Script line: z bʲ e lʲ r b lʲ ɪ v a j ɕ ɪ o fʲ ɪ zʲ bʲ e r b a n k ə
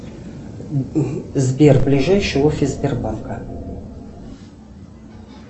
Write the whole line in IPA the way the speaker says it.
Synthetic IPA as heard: z bʲ e r b lʲ ɪ ʐ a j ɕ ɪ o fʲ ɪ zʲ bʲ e r b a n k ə